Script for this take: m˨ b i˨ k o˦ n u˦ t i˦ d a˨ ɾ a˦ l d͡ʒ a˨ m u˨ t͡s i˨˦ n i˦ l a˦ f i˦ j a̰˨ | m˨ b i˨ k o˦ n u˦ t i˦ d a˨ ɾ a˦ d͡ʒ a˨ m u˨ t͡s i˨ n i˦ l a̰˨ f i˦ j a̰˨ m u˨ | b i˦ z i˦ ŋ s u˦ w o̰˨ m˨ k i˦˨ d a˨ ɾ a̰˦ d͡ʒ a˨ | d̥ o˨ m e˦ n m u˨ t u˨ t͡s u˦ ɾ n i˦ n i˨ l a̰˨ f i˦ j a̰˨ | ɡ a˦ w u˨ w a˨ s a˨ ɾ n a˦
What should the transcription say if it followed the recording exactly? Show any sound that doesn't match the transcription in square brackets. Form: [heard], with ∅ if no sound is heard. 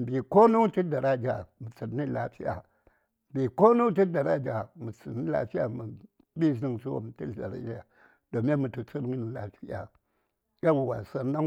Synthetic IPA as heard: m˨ b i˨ k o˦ n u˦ t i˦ d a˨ ɾ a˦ [∅] d͡ʒ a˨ m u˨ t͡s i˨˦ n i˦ l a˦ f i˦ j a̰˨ | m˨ b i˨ k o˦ n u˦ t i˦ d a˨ ɾ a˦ d͡ʒ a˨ m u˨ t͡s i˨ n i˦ l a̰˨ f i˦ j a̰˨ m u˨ | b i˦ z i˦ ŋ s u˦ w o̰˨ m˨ [t] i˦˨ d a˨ ɾ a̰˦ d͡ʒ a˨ | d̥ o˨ m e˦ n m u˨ t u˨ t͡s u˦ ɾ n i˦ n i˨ l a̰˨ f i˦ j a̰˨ | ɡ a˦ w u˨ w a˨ s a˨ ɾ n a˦

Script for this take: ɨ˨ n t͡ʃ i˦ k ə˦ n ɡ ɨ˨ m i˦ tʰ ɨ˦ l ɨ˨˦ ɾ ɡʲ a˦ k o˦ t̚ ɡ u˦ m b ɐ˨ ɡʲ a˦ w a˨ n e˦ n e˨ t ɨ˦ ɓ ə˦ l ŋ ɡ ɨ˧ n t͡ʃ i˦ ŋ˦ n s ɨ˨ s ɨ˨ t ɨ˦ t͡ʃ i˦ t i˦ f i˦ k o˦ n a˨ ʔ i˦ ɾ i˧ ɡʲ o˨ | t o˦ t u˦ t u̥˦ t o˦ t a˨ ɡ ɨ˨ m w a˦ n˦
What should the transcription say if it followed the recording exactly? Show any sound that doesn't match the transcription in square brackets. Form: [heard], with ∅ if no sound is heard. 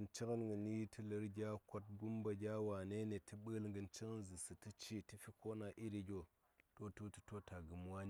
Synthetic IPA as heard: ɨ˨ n t͡ʃ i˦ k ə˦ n ɡ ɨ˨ [n] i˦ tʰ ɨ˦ l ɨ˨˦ ɾ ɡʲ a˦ k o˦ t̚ ɡ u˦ m b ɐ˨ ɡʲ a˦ w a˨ n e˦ n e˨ t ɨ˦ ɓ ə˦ l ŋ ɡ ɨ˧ n t͡ʃ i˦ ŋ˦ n [z] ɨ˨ s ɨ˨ t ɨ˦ t͡ʃ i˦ t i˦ f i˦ k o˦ n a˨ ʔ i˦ ɾ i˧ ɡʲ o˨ | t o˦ t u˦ t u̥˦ t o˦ t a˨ ɡ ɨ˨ m w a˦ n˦

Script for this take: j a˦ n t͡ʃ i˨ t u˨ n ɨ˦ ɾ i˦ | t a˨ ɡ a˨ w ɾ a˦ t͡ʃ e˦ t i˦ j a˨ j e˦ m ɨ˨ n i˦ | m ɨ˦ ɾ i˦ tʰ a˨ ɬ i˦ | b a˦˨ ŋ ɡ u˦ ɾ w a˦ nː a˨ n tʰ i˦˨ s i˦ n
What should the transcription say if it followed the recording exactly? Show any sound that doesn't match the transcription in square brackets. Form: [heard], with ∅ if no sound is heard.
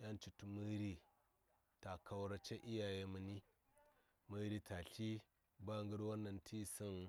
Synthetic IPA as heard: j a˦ n t͡ʃ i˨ t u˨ [m] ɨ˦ ɾ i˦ | t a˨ [k] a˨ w ɾ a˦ t͡ʃ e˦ [ʔ] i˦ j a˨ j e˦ m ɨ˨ n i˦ | m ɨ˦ ɾ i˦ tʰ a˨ ɬ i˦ | b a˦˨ ŋ ɡ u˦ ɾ w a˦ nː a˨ n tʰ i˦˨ s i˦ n

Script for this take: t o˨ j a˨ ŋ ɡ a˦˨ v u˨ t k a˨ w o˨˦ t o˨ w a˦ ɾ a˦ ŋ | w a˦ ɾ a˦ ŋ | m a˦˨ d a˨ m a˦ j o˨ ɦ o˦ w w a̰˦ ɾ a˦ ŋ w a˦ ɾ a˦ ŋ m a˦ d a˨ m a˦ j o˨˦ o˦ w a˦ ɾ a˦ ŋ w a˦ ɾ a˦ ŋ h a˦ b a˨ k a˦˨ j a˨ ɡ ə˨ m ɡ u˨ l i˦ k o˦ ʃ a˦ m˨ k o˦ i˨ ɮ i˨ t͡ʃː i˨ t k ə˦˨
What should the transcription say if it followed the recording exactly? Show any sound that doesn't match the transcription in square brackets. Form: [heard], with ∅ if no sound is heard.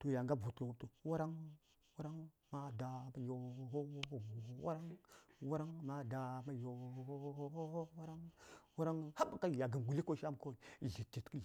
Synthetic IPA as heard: t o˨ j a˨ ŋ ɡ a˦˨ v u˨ t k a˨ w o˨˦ t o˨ w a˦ ɾ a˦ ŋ | w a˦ ɾ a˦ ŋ | m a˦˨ d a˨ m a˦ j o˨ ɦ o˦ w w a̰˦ ɾ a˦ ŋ w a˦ ɾ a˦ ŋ m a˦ d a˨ m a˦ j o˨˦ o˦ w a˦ ɾ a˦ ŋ w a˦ ɾ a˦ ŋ h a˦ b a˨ k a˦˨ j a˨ ɡ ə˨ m ɡ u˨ l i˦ k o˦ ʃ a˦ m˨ k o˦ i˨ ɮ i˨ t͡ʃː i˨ t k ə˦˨

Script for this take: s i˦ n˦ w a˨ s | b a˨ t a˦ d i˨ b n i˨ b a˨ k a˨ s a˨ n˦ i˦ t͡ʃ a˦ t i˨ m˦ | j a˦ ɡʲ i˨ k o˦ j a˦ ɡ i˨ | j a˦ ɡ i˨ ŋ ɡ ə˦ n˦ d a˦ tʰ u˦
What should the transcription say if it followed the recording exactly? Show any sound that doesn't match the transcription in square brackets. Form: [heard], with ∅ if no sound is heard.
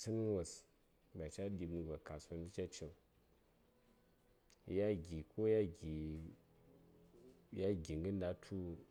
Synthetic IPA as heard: s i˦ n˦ w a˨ s | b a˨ [t͡ʃ] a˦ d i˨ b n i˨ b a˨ k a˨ s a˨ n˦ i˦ t͡ʃ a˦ [t͡ʃ] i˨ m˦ | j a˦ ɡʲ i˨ k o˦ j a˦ ɡ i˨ | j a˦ ɡ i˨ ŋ ɡ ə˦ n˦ d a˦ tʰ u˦

